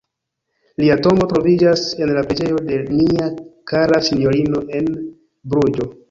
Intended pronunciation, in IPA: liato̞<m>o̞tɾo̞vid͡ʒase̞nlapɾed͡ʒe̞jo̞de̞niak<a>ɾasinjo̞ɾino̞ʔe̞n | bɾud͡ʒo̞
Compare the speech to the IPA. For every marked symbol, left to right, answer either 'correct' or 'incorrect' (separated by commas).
correct, correct